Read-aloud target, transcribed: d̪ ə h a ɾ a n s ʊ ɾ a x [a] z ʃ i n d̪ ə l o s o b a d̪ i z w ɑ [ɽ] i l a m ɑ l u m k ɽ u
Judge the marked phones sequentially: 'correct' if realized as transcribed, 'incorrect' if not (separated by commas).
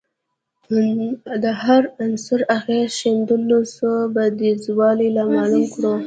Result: incorrect, incorrect